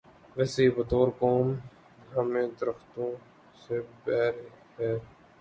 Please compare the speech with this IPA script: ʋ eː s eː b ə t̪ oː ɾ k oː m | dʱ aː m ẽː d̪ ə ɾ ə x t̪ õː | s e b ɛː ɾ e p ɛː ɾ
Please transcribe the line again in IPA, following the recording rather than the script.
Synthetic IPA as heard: ʋ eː s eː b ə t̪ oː ɾ k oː m | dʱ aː m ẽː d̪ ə ɾ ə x t̪ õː | s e b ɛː ɾ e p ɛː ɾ